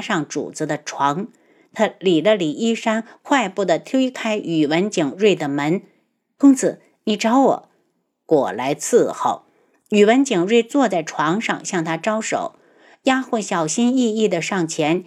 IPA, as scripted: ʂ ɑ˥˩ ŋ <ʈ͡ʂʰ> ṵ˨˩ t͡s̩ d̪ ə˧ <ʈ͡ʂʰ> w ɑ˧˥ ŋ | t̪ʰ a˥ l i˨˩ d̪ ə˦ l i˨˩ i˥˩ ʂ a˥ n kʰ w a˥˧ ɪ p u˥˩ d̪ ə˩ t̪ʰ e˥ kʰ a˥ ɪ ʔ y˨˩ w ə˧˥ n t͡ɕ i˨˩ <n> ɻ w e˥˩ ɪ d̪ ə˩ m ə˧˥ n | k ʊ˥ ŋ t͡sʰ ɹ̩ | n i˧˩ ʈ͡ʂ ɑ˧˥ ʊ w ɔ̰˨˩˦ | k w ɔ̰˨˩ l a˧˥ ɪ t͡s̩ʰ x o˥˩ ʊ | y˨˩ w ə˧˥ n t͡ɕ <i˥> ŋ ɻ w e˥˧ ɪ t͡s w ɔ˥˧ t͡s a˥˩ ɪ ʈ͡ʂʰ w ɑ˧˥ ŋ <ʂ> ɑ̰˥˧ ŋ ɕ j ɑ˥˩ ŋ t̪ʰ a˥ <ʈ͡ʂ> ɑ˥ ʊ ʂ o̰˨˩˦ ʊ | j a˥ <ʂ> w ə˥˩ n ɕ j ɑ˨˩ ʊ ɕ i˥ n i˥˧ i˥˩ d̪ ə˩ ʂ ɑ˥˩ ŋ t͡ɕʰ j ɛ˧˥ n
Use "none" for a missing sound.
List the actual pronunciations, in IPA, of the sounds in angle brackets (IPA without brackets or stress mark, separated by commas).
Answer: ʈ͡ʂ, ʈ͡ʂʰ, ŋ, i˨˩, ʂ, ʈ͡ʂ, x